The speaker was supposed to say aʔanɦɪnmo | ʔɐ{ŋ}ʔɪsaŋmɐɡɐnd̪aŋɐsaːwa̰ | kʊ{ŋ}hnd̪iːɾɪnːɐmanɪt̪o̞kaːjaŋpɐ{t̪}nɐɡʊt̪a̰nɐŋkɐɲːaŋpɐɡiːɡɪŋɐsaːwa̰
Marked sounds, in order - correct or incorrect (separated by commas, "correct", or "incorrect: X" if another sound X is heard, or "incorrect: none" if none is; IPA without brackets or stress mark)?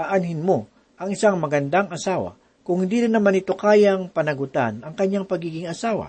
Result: correct, correct, incorrect: none